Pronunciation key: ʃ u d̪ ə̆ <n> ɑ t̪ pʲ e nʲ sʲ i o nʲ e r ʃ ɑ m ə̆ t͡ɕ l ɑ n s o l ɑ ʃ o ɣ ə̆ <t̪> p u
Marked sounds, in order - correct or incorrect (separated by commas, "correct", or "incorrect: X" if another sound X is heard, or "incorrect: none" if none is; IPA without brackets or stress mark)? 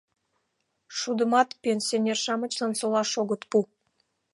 incorrect: m, correct